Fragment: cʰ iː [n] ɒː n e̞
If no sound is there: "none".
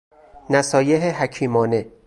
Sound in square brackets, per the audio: m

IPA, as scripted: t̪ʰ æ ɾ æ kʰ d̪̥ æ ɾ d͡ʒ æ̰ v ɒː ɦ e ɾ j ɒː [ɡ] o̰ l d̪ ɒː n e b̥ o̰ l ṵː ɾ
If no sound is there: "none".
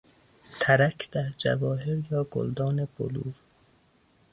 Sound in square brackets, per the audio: ɡ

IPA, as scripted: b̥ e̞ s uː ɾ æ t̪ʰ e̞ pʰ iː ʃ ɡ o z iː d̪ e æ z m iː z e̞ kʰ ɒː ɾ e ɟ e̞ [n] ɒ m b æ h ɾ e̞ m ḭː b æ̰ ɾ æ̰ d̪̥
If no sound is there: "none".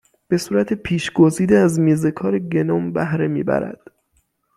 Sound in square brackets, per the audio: n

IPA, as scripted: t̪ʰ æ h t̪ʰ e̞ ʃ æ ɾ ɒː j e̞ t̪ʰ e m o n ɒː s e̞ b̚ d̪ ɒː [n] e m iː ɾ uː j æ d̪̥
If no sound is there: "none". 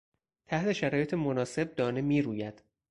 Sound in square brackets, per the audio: n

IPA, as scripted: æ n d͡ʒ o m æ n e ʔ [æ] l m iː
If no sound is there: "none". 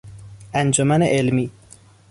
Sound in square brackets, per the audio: e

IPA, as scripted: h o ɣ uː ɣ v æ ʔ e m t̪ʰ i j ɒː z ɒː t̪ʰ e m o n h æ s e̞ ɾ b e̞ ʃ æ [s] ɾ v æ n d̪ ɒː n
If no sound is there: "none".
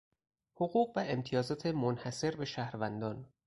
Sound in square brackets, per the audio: h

